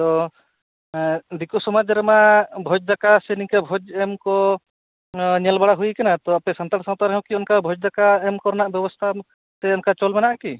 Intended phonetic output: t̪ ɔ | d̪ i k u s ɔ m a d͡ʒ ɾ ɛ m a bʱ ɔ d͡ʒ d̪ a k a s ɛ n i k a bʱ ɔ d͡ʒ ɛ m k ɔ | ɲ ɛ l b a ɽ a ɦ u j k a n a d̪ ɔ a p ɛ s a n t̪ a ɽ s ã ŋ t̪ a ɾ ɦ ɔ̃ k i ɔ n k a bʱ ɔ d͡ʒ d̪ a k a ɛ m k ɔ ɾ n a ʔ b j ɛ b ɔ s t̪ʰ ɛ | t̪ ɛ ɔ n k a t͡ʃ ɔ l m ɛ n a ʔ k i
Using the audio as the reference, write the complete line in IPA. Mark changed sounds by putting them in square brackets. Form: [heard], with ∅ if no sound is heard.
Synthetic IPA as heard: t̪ ɔ | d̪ i k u s ɔ m a d͡ʒ ɾ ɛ m a bʱ ɔ d͡ʒ d̪ a k a s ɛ n i k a bʱ ɔ d͡ʒ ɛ m k ɔ | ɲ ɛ l b a ɽ a ɦ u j k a n a [t̪] ɔ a p ɛ s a n t̪ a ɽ s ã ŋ t̪ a ɾ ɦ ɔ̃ k i ɔ n k a bʱ ɔ d͡ʒ d̪ a k a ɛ m k ɔ ɾ n a ʔ b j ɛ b ɔ s t̪ʰ [a] | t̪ ɛ ɔ n k a t͡ʃ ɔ l m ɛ n a ʔ k i